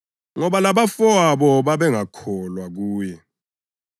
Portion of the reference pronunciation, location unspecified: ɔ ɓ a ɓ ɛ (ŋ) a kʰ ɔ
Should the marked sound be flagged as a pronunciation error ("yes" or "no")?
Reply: no